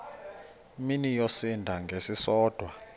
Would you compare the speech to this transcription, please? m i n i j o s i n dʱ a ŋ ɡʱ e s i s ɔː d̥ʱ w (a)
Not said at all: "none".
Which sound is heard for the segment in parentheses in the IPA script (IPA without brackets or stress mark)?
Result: a